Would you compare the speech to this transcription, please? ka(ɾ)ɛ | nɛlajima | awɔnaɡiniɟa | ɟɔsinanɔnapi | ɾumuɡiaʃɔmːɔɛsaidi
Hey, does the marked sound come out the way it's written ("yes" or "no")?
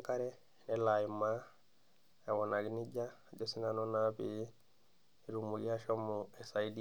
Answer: yes